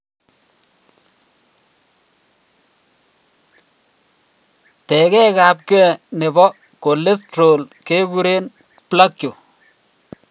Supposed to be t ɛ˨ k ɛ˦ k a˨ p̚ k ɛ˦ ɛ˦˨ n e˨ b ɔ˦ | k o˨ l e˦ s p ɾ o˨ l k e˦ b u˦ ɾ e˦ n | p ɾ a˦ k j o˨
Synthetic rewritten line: t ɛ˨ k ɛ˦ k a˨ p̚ k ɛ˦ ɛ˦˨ n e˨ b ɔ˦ | k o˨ l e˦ s t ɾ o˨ l k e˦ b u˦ ɾ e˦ n | p l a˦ k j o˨